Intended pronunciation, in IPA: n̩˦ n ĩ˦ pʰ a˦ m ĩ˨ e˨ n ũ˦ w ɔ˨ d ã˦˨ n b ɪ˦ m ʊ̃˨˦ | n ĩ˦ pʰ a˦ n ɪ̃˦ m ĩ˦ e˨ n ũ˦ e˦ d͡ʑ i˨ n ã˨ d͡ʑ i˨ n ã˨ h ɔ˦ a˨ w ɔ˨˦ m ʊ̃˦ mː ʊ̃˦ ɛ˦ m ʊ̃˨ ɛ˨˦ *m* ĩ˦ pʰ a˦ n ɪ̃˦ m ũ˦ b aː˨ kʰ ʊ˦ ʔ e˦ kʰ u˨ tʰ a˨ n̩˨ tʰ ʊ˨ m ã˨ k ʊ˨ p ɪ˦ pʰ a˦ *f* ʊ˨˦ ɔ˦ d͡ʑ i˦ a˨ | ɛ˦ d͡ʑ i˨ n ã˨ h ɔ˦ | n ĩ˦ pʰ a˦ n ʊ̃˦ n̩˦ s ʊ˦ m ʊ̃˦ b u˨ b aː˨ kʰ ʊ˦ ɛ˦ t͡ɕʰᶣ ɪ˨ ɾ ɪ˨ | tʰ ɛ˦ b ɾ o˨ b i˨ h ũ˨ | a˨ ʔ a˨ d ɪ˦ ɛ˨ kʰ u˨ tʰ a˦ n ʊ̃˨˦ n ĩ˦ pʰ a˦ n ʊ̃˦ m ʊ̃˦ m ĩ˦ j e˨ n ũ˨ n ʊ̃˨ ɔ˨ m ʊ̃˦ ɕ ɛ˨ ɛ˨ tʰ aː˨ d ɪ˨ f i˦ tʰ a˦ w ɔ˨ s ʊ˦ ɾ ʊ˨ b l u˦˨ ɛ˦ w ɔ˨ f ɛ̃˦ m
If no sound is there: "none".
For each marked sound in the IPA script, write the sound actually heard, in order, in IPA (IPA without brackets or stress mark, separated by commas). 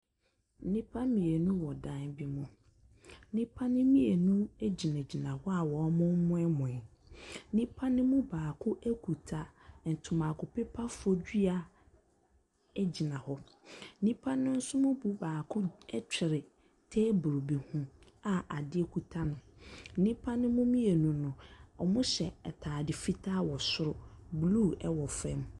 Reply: n, f